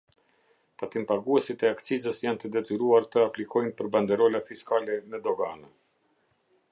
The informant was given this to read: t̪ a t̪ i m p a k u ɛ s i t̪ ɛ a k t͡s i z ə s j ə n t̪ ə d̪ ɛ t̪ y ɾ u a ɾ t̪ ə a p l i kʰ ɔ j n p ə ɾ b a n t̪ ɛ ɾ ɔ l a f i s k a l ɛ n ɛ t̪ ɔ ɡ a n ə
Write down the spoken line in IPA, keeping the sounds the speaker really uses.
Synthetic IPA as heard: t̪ a t̪ i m p a ɡ u ɛ s i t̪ ɛ a k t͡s i z ə s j a n t̪ ə d̪ ɛ t̪ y ɾ u a ɾ t̪ ə a p l i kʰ ɔ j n p ə ɾ b a n d̪ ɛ ɾ ɔ l a f i s k a l ɛ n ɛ d̪ ɔ ɡ a n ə